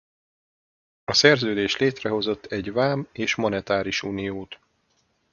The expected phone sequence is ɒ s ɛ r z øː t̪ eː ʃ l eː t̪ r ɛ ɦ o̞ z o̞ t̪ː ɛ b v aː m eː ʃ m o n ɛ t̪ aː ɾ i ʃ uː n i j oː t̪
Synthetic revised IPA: ɒ s ɛ r z øː d̪ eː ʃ l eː t̪ r ɛ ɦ o̞ z o̞ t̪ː ɛ ɟ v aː m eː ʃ m o n ɛ t̪ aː ɾ i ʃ uː n i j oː t̪